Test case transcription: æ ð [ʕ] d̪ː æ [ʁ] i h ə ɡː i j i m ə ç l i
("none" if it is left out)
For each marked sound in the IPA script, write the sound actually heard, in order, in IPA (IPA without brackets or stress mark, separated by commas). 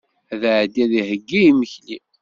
ʕ, ð